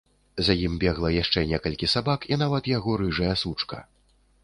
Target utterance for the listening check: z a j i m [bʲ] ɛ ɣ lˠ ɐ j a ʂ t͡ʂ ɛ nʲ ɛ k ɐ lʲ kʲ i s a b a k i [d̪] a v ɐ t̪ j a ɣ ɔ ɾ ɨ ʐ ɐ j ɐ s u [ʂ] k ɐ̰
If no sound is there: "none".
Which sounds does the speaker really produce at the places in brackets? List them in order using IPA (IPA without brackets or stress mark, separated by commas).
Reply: bʲ, n̪, t͡ʂ